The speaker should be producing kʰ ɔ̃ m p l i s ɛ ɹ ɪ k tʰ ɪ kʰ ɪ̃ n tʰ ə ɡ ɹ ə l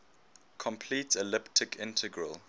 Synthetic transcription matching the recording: kʰ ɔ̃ m pʰ l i t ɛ l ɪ p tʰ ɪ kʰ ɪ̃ n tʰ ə ɡ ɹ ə l